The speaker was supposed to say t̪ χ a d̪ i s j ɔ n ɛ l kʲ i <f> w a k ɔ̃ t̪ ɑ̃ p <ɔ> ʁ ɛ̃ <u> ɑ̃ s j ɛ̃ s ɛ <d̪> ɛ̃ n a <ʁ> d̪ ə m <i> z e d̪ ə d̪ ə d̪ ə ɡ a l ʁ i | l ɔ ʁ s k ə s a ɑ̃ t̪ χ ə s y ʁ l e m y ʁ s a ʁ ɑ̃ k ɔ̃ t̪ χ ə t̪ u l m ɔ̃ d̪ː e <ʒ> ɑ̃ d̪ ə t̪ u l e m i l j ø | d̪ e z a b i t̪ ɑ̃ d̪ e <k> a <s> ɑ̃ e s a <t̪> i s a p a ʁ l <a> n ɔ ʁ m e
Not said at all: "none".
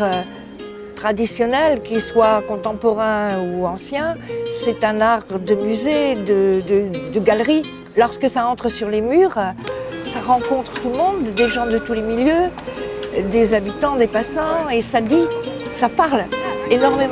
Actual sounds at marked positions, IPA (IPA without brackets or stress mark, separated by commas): s, ɔ, u, t̪, ʁ, y, ʒ, p, s, d̪, e